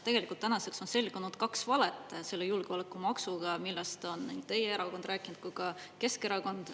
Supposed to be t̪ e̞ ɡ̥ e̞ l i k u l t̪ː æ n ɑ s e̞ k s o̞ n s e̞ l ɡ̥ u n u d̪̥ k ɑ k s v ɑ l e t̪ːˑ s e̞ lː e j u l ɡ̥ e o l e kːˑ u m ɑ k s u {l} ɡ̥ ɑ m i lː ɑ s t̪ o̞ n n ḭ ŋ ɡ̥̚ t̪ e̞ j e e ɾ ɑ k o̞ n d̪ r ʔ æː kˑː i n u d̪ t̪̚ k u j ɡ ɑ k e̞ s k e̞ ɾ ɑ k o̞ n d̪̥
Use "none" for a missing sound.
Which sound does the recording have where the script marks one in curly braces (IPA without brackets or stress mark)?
none